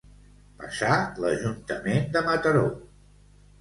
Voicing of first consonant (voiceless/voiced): voiceless